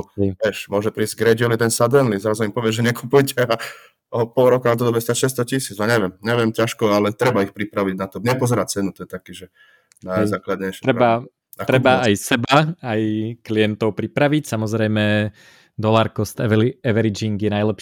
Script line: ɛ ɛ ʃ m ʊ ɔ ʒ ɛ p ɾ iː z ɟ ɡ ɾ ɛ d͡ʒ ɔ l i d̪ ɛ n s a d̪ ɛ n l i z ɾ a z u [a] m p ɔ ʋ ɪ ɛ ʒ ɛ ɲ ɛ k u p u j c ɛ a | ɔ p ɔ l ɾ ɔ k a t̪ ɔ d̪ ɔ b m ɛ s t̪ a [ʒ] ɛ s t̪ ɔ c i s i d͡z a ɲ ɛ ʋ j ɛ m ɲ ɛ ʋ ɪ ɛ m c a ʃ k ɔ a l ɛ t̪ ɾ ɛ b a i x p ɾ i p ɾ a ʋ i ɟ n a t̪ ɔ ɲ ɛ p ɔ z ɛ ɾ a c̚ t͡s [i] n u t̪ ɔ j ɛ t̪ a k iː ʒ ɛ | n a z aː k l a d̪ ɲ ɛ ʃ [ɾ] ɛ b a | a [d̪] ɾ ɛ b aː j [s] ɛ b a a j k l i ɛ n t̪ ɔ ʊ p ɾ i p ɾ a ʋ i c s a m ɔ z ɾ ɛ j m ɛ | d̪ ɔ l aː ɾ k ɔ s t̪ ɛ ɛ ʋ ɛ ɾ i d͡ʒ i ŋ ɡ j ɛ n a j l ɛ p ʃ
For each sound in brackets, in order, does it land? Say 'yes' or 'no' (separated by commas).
no, no, no, yes, no, yes